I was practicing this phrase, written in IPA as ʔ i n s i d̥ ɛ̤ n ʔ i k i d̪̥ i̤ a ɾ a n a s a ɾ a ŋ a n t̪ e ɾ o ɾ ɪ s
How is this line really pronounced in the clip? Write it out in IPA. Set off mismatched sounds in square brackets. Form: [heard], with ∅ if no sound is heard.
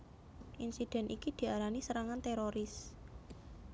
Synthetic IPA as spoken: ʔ i n s i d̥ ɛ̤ n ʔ i k i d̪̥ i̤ a ɾ a n [i] s [ə] ɾ a ŋ a n t̪ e ɾ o ɾ ɪ s